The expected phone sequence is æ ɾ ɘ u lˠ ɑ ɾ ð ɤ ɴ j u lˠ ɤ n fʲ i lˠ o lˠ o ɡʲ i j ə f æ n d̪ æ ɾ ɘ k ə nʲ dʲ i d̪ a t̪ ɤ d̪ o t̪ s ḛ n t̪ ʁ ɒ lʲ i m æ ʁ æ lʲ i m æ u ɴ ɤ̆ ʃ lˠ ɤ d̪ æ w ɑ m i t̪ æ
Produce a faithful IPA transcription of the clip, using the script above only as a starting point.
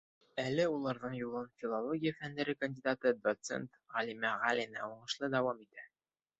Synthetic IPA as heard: æ l ɘ u lˠ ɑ ɾ ð ɤ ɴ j u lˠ ɤ n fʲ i lˠ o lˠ o ɡʲ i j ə f æ n d̪ æ ɾ ɘ k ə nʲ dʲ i d̪ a t̪ ɤ d̪ o t̪ s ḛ n t̪ ʁ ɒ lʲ i m æ ʁ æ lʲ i n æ u ɴ ɤ̆ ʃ lˠ ɤ d̪ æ w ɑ m i t̪ æ